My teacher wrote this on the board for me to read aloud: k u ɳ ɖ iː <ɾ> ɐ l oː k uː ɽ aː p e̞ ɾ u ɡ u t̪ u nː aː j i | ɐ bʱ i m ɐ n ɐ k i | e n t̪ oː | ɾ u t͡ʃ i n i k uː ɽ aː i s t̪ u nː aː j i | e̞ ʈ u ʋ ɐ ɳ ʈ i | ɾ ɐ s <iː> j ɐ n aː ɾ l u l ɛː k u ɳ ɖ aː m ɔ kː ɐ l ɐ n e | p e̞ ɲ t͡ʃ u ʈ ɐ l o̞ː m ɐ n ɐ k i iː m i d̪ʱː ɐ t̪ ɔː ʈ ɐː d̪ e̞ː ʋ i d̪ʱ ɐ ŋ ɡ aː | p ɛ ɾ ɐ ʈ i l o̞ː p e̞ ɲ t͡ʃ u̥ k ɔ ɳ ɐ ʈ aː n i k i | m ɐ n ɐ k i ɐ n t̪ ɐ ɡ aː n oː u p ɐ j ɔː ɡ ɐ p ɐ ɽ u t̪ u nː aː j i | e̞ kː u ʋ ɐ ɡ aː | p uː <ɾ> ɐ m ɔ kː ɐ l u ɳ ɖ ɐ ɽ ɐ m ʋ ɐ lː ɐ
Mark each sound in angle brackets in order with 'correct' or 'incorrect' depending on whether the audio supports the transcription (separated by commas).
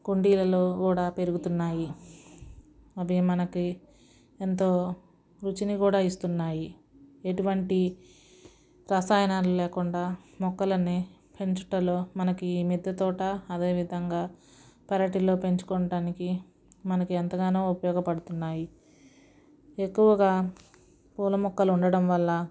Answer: incorrect, incorrect, incorrect